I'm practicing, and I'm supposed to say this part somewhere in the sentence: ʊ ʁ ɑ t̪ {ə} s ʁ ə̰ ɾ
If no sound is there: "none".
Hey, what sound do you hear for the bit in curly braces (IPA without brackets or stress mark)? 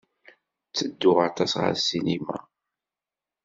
ɑ